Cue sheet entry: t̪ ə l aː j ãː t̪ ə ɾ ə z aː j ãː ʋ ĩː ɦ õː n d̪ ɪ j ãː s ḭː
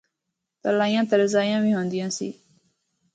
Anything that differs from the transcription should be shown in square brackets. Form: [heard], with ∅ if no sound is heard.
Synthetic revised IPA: t̪ ə l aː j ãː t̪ ə ɾ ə z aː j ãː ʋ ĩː ɦ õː n d̪ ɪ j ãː s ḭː